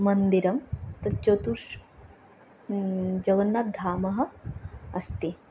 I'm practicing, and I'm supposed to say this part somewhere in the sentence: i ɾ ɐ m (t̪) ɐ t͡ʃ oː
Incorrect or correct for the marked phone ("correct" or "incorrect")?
correct